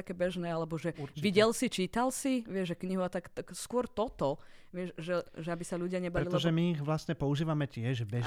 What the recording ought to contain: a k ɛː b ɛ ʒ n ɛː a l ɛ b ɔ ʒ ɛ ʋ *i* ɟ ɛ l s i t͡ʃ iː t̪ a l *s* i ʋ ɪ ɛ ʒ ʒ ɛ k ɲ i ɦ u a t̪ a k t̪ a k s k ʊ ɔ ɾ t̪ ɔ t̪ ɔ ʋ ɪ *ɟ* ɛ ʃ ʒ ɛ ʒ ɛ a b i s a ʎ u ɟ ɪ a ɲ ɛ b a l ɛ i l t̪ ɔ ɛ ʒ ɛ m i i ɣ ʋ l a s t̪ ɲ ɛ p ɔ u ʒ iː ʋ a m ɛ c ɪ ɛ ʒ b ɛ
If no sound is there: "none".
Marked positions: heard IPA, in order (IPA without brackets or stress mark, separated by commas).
i, s, none